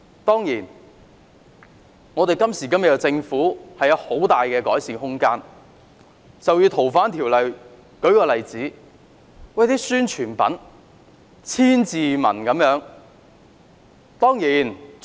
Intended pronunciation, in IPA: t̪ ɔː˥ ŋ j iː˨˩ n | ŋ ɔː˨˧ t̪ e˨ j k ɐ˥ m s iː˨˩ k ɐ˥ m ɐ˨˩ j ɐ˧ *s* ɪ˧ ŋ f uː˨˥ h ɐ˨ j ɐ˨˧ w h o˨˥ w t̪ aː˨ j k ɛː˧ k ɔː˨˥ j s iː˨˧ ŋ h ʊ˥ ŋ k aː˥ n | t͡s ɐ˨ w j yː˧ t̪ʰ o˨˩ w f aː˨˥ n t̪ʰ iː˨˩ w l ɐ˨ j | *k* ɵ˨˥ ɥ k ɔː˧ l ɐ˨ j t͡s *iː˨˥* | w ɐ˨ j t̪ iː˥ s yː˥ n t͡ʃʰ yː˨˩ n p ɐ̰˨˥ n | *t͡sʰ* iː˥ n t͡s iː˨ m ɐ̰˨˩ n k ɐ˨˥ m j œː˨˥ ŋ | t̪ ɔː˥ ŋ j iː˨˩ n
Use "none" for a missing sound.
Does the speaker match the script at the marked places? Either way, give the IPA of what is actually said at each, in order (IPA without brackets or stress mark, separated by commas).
t͡s, k, iː˨˥, t͡sʰ